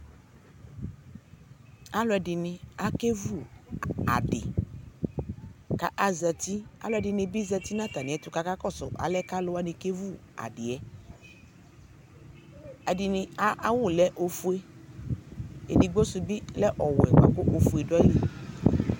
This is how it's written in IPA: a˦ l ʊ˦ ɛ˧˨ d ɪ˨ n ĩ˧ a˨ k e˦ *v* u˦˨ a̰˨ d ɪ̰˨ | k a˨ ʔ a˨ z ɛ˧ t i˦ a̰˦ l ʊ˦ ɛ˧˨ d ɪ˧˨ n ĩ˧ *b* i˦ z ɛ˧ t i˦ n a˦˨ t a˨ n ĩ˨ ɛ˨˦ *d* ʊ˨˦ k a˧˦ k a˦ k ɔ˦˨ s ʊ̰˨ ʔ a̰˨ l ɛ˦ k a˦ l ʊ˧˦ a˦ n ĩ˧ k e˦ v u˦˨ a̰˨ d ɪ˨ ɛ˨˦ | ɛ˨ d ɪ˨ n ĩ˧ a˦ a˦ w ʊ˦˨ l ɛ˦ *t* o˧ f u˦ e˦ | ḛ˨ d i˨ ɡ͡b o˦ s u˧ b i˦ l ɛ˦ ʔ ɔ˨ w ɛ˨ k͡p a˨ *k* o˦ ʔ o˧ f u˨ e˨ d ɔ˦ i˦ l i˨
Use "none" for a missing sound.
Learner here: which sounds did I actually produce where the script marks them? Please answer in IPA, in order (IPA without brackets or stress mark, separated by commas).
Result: v, b, t, ʔ, k